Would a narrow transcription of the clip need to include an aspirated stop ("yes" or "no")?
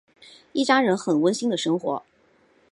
no